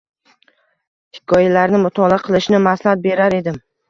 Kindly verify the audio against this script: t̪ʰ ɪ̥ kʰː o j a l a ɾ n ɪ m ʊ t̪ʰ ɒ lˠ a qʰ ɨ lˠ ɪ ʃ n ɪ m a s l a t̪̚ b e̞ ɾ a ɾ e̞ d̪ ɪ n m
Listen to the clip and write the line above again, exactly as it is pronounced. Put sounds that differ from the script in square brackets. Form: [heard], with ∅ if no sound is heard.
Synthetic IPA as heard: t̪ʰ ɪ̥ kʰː [ɒ] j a l a ɾ n ɪ m ʊ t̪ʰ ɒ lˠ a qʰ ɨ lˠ ɪ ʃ n ɪ m a s l a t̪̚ b e̞ ɾ a ɾ e̞ d̪ ɪ [∅] m

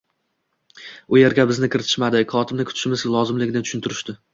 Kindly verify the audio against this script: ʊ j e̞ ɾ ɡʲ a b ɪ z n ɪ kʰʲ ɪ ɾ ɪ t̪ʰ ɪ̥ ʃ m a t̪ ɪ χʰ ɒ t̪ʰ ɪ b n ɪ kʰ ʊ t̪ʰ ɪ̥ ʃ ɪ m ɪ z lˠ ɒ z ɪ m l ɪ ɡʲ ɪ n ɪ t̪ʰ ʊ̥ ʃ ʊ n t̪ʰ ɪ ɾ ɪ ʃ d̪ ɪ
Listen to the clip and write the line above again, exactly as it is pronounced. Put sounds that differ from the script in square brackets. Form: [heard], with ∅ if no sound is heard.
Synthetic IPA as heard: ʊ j e̞ ɾ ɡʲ a b ɪ z n ɪ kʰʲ ɪ ɾ ɪ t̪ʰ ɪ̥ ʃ m a [d̪] ɪ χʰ ɒ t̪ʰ ɪ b n ɪ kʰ ʊ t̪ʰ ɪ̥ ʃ ɪ m ɪ z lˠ ɒ z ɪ m l ɪ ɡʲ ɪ n ɪ t̪ʰ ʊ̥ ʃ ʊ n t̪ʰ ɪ ɾ ɪ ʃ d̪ ɪ

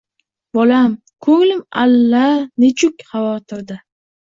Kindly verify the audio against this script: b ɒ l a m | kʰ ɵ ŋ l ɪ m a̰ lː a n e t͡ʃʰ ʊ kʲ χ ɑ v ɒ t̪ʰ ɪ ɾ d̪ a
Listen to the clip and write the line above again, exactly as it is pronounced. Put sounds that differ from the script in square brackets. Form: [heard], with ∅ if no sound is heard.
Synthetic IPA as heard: b ɒ l a m | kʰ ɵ ŋ l ɪ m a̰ lː a n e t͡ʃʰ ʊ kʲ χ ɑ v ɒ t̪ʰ ɪ ɾ d̪ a

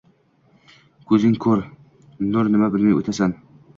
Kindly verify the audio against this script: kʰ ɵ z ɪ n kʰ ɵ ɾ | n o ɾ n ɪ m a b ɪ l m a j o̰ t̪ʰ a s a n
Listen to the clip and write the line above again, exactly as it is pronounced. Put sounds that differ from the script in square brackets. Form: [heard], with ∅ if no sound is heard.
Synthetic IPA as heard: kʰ ɵ z ɪ [ŋ] kʰ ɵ ɾ | n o ɾ n ɪ m a b ɪ l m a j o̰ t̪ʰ a s a n

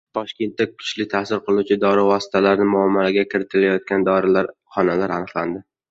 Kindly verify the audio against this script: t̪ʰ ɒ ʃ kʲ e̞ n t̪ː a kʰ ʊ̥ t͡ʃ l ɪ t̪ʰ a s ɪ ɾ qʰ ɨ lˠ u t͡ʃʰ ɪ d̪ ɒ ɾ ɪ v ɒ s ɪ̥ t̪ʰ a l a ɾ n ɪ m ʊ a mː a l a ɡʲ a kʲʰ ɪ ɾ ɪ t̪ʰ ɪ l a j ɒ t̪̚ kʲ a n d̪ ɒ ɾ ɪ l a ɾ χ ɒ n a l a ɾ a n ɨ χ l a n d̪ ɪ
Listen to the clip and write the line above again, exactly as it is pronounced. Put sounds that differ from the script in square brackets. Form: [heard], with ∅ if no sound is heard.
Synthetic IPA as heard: t̪ʰ ɒ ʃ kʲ e̞ n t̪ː a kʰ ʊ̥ t͡ʃ l ɪ t̪ʰ a s ɪ ɾ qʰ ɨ lˠ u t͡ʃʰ ɪ d̪ ɒ ɾ ɪ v ɒ s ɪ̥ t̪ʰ a l a ɾ n ɪ m ʊ a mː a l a ɡʲ a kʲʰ ɪ ɾ ɪ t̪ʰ ɪ l a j ɒ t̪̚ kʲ a n d̪ ɒ ɾ ɪ l a ɾ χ ɒ n a l a ɾ a n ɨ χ l a n d̪ ɪ

